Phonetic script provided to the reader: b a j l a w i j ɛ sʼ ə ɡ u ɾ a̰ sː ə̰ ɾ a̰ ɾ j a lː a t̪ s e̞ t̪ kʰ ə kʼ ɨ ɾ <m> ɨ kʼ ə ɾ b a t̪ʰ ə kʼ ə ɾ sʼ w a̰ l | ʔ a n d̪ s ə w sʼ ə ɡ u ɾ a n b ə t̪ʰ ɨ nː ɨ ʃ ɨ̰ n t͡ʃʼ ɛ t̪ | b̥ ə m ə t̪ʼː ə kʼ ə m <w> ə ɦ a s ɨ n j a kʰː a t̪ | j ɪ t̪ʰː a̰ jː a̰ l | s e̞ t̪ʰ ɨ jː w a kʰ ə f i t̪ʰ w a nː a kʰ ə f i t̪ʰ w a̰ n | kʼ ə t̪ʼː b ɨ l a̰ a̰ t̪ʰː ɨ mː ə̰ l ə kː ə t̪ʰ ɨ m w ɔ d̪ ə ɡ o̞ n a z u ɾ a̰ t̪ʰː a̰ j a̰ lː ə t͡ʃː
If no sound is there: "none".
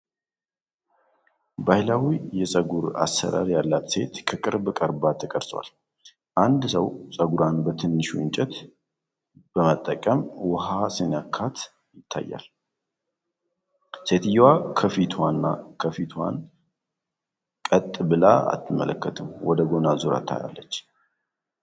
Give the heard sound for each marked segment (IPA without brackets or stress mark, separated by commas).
b, w